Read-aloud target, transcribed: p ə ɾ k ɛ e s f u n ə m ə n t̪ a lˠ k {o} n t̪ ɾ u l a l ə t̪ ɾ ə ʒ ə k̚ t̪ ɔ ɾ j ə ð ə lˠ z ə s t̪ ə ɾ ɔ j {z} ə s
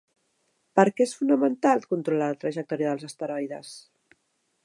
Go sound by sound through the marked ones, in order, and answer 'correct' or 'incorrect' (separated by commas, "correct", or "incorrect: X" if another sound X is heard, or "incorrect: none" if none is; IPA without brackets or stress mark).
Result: incorrect: u, incorrect: ð